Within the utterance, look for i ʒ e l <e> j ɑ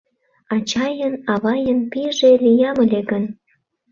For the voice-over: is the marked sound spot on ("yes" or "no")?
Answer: no